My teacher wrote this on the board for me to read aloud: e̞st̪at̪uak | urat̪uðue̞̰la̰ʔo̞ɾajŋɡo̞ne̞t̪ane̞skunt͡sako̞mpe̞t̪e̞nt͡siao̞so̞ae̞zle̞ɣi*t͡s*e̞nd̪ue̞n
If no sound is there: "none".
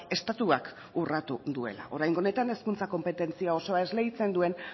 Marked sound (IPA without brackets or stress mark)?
t͡s